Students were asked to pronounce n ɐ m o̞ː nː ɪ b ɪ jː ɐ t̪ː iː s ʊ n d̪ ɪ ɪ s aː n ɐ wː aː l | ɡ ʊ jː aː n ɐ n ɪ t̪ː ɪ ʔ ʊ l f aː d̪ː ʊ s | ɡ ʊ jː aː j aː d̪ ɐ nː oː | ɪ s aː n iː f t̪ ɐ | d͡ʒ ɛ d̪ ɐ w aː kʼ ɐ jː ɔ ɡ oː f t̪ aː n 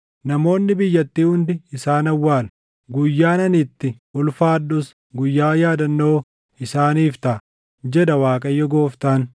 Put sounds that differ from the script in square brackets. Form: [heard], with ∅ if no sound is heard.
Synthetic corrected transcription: n ɐ m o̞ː nː ɪ b ɪ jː ɐ t̪ː iː [h] ʊ n d̪ ɪ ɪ s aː n ɐ wː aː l | ɡ ʊ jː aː n ɐ n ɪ t̪ː ɪ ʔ ʊ l f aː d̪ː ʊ s | ɡ ʊ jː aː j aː d̪ ɐ nː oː | ɪ s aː n iː f t̪ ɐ | d͡ʒ ɛ d̪ ɐ w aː kʼ ɐ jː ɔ ɡ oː f t̪ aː n